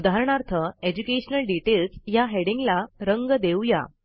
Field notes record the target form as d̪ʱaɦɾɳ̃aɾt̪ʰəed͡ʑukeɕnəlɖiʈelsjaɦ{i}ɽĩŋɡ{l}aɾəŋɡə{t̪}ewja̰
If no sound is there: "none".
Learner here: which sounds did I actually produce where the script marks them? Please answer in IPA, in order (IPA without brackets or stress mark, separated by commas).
e, l, d̪